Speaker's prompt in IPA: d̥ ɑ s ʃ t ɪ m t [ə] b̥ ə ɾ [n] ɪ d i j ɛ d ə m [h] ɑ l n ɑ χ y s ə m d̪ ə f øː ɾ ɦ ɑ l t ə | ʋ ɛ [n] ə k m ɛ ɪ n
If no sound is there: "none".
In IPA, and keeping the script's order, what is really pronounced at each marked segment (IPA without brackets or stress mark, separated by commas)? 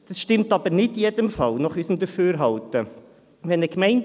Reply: ɑ, n, f, n